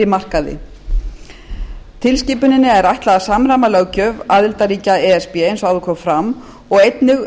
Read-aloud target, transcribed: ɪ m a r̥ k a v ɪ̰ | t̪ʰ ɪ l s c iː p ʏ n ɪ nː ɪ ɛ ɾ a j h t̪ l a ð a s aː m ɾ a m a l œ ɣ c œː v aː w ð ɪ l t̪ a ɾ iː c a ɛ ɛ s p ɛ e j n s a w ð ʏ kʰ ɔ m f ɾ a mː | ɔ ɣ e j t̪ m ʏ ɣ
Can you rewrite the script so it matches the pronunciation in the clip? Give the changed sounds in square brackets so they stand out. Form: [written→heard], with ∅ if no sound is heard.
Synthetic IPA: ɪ m a r̥ k a [v→ð] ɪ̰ | t̪ʰ ɪ l s c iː p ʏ n ɪ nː ɪ ɛ ɾ a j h t̪ l a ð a s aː m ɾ a m a l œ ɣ c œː v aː [w→∅] ð ɪ l t̪ a ɾ iː c a ɛ ɛ s p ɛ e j n s a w ð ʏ kʰ ɔ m f ɾ a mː | ɔ ɣ e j t̪ [m→n] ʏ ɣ